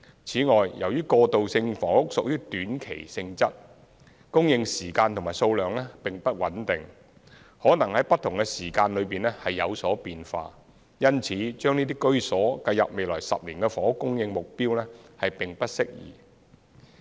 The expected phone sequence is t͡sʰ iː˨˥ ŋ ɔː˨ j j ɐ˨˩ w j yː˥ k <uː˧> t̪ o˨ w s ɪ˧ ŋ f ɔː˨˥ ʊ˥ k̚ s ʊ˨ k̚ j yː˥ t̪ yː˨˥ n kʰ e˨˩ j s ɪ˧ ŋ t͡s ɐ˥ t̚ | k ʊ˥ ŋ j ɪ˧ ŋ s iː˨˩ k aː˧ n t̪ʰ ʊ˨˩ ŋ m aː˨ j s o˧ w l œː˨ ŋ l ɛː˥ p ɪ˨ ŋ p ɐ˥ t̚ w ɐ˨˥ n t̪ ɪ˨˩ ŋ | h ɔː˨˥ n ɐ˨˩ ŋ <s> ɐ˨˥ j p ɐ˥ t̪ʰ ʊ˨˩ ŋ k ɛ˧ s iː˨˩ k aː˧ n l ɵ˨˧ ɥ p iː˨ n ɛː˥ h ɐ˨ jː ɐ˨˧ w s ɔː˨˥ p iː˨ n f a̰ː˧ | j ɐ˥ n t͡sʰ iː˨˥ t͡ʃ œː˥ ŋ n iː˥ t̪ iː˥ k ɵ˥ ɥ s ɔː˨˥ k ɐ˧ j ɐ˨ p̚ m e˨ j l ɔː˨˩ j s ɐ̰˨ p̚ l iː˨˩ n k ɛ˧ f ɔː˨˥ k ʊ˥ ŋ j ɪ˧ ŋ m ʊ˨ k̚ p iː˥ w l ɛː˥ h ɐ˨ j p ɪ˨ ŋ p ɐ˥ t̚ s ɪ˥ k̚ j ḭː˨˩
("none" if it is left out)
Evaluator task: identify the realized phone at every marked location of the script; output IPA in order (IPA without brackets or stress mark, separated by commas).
ɔː˧, h